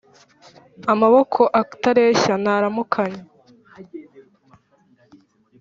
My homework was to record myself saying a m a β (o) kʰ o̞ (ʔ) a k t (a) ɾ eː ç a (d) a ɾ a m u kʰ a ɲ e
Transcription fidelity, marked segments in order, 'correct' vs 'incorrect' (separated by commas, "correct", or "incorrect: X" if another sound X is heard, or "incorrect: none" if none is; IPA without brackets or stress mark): correct, correct, correct, incorrect: n